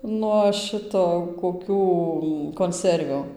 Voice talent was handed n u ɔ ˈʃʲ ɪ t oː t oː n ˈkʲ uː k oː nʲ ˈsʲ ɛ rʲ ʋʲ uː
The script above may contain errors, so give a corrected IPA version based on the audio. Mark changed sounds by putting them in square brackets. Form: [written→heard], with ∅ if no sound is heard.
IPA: n u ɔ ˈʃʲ ɪ t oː [t→k] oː [n→∅] ˈkʲ uː k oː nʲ ˈsʲ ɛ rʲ ʋʲ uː